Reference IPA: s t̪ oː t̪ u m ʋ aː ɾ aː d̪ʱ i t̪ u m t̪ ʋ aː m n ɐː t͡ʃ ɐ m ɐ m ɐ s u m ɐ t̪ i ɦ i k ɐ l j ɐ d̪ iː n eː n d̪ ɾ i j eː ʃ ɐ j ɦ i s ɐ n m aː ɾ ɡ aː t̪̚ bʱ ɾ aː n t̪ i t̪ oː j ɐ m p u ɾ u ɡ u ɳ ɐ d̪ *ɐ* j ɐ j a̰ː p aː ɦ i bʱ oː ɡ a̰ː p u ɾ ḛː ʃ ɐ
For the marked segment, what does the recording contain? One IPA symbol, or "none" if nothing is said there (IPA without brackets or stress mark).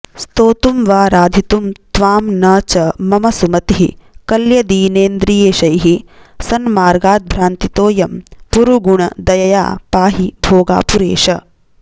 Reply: ɐ